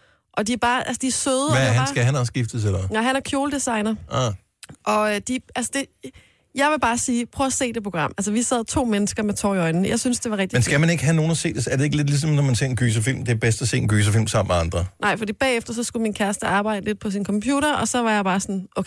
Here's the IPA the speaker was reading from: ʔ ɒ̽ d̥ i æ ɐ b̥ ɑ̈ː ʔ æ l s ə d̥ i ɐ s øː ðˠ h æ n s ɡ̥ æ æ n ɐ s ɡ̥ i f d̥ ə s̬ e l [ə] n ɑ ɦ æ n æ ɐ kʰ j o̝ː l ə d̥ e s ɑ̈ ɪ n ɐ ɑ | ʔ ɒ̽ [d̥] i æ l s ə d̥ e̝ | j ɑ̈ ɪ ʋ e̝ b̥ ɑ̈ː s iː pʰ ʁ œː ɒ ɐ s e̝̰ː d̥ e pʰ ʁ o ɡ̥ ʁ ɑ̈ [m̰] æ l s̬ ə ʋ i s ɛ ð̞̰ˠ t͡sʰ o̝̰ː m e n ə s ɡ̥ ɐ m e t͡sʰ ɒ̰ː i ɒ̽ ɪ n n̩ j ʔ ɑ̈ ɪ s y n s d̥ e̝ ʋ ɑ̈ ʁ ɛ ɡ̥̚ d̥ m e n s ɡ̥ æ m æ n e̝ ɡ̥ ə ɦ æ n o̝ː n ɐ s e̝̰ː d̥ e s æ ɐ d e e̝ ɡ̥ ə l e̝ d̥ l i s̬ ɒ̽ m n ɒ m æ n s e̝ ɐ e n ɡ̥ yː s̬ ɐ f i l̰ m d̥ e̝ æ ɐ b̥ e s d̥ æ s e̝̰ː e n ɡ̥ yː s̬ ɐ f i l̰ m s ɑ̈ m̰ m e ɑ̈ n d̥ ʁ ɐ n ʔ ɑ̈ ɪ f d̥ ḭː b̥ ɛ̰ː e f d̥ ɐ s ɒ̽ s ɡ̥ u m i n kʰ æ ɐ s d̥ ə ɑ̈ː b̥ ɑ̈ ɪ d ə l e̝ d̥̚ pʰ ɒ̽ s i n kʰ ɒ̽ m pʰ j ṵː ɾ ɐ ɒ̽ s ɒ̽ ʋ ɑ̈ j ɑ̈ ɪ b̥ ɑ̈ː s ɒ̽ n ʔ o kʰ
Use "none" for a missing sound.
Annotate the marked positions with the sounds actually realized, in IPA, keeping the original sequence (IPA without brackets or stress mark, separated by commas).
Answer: ɐ, d̥, m̰